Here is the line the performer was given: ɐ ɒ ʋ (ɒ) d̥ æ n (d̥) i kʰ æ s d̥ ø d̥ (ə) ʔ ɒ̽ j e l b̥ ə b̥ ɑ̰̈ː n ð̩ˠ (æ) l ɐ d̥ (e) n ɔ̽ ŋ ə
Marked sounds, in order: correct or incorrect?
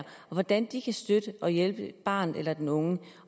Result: correct, correct, correct, incorrect, correct

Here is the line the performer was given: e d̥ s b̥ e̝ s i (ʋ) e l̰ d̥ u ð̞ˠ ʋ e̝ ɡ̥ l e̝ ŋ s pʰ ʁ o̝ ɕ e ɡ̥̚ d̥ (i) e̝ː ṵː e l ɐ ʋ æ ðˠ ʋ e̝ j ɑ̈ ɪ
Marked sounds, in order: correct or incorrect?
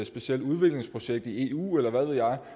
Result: incorrect, correct

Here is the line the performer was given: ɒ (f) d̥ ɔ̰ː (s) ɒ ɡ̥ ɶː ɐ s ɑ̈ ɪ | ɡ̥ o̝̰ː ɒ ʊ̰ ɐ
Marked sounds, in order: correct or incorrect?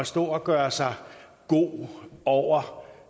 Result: incorrect, incorrect

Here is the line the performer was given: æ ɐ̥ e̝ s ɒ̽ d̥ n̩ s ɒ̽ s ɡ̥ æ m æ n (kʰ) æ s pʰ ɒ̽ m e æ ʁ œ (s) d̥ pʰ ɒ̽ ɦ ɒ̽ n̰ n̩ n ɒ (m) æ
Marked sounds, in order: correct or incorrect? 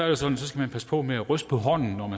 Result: incorrect, correct, correct

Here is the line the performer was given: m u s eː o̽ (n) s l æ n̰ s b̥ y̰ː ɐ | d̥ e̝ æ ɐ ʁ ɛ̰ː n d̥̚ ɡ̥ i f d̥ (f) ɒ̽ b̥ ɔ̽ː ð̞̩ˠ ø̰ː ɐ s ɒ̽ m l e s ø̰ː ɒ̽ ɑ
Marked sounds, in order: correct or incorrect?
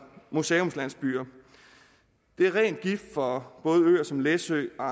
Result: incorrect, correct

